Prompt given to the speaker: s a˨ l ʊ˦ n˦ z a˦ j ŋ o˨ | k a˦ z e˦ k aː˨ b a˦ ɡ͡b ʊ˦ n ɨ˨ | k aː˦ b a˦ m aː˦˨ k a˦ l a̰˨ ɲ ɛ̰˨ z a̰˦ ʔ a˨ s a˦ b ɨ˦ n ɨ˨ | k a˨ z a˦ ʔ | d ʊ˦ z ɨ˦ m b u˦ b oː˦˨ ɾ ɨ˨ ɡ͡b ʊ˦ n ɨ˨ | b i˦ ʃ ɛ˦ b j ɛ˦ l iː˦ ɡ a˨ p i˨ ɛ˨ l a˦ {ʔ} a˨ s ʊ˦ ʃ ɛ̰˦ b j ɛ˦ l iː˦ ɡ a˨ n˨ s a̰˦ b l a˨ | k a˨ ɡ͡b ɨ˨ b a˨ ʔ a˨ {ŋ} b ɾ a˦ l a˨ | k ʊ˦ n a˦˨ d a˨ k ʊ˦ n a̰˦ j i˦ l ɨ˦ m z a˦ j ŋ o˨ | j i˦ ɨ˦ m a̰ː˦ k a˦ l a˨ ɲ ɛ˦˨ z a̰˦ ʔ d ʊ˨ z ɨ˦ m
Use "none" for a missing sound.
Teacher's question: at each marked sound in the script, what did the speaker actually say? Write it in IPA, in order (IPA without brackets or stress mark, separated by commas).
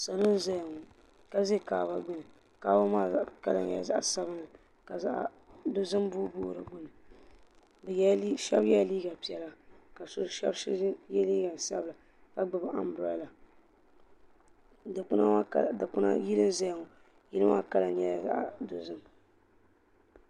k, m